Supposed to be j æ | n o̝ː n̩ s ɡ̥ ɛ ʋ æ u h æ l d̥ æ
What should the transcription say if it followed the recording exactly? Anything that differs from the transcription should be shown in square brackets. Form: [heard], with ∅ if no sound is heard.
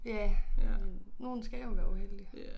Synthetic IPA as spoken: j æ | n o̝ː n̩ s ɡ̥ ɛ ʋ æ u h [e] l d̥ [i]